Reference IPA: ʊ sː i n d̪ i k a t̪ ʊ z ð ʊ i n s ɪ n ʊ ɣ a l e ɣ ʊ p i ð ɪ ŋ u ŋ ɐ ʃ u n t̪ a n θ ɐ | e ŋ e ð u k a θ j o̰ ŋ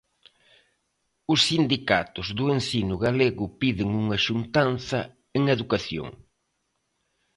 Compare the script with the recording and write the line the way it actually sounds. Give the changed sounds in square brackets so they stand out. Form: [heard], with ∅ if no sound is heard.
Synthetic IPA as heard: ʊ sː i n d̪ i k a t̪ ʊ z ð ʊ [e] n s [i] n ʊ ɣ a l e ɣ ʊ p i ð ɪ ŋ u ŋ ɐ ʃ u n t̪ a n θ ɐ | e ŋ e ð u k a θ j o̰ ŋ